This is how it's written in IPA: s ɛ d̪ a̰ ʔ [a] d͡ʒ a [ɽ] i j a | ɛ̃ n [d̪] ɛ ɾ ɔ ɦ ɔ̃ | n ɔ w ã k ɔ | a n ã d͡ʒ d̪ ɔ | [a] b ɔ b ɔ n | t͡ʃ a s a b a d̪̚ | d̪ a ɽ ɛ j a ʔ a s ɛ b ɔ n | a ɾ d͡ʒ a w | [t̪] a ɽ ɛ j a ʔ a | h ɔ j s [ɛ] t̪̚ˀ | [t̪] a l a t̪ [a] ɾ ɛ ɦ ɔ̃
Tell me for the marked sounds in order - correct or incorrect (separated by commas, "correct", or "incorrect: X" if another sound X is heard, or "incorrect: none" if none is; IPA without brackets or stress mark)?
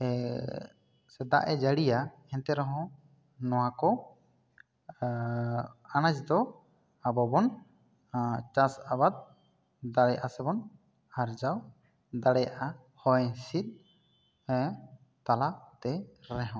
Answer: incorrect: ɛ, correct, incorrect: t̪, correct, incorrect: d̪, incorrect: i, correct, incorrect: ɛ